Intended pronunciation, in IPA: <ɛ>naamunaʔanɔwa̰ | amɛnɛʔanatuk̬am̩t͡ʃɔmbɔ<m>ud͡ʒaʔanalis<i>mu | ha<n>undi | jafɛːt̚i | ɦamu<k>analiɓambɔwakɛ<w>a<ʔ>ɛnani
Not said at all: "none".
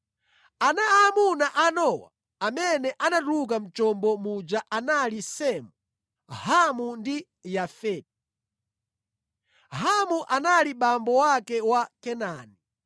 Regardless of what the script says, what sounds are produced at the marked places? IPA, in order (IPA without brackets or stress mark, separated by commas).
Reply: a, m, ɛ, m, ʔ, w, k